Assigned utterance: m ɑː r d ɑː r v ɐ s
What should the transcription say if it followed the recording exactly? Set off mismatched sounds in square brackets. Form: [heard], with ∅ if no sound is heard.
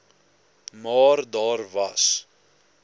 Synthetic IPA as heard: m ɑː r d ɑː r v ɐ s